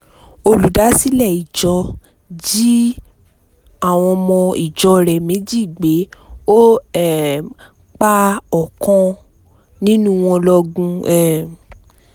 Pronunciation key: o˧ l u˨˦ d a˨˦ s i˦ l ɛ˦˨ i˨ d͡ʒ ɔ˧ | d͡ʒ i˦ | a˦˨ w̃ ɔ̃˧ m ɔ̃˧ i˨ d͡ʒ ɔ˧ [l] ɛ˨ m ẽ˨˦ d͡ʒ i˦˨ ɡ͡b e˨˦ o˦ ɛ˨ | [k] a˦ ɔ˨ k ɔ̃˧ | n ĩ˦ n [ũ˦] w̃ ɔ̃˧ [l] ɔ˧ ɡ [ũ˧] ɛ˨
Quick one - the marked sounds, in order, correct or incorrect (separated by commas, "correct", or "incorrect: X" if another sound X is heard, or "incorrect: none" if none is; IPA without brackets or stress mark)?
incorrect: ɾ, incorrect: k͡p, correct, correct, correct